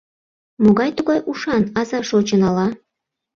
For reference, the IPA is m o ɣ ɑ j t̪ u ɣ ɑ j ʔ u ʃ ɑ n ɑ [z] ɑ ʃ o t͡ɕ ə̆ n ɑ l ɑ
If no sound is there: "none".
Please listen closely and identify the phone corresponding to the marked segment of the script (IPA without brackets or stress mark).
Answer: z